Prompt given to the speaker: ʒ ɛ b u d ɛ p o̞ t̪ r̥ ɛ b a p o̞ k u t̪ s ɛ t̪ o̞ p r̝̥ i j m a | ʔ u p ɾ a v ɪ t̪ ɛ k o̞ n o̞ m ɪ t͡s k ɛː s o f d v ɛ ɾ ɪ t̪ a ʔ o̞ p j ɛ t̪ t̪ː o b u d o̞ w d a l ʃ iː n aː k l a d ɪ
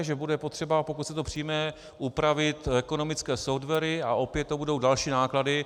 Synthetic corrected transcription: ʒ ɛ b u d ɛ p o̞ t̪ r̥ ɛ b a p o̞ k u t̪ s ɛ t̪ o̞ p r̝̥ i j m ɛ | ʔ u p ɾ a v ɪ t̪ ɛ k o̞ n o̞ m ɪ t͡s k ɛː s o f d v ɛ ɾ ɪ a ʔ o̞ p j ɛ t̪ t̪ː o b u d o̞ w d a l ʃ iː n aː k l a d ɪ